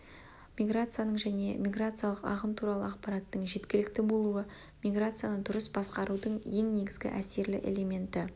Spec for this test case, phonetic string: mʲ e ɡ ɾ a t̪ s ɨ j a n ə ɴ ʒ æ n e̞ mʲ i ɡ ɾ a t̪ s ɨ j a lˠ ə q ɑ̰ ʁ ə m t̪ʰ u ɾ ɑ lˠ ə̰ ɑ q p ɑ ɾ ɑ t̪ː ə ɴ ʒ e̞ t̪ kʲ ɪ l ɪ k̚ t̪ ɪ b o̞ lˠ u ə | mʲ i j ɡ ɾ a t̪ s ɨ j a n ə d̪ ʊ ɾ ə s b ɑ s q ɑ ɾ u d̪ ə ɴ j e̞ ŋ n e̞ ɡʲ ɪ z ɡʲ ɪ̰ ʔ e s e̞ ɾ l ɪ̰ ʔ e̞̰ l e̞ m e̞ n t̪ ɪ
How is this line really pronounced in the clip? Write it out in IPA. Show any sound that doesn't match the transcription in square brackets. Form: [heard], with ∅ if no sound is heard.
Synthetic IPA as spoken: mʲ [i] ɡ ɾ a t̪ s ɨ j a n ə ɴ ʒ æ n e̞ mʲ i ɡ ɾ a t̪ s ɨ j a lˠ ə q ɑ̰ ʁ ə m t̪ʰ u ɾ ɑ lˠ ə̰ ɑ q p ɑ ɾ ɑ t̪ː ə ɴ ʒ e̞ t̪ kʲ ɪ l ɪ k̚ t̪ ɪ b o̞ lˠ u ə | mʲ i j ɡ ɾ a t̪ s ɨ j a n ə d̪ ʊ ɾ ə s b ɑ s q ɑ ɾ u d̪ ə ɴ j e̞ ŋ n e̞ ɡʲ ɪ z ɡʲ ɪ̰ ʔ [æ] s e̞ ɾ l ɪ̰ ʔ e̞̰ l e̞ m e̞ n t̪ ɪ